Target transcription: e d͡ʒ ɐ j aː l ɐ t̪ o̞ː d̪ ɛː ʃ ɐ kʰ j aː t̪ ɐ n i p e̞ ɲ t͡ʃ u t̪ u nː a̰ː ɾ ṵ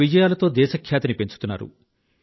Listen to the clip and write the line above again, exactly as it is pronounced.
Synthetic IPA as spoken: i d͡ʒ ɐ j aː l ɐ t̪ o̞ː d̪ ɛː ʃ ɐ kʰ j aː t̪ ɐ n i p e̞ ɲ t͡ʃ u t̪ u nː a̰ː ɾ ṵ